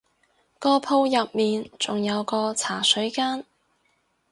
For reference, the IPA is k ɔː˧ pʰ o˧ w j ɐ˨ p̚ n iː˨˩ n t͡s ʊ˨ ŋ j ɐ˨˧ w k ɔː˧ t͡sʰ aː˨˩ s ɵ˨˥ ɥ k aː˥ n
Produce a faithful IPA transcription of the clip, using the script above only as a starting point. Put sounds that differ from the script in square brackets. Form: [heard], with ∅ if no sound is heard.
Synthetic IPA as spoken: k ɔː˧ pʰ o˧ w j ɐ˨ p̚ [m] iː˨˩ n t͡s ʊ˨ ŋ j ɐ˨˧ w k ɔː˧ t͡sʰ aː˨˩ s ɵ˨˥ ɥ k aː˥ n